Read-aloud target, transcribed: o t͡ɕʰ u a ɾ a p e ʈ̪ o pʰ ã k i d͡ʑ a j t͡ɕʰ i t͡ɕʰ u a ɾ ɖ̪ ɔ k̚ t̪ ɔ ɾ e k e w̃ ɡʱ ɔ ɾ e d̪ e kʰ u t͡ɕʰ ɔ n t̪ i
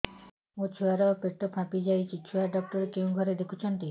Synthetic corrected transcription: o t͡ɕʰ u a ɾ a p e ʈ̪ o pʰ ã p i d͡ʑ a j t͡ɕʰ i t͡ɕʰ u a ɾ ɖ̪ ɔ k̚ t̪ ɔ ɾ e k e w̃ ɡʱ ɔ ɾ e d̪ e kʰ u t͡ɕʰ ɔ n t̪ i